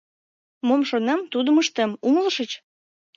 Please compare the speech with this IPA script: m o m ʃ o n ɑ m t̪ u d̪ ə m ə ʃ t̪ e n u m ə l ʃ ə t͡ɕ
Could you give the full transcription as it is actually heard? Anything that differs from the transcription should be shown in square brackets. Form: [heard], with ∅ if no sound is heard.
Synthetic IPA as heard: m o m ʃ o n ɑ m t̪ u d̪ ə m ə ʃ t̪ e [m] u [ŋ] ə l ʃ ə t͡ɕ